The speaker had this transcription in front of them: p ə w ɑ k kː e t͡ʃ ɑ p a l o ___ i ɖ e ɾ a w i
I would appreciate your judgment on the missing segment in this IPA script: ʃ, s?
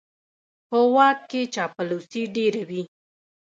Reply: s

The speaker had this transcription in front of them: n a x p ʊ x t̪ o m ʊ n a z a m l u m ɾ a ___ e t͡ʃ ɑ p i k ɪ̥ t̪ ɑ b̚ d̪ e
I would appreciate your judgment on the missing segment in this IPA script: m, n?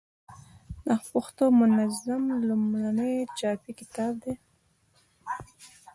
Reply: n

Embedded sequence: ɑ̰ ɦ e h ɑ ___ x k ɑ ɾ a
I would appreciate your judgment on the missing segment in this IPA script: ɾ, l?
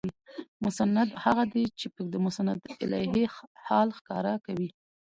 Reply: l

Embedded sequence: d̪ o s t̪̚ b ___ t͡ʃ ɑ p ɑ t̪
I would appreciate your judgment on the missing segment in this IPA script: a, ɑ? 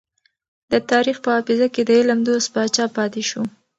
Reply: ɑ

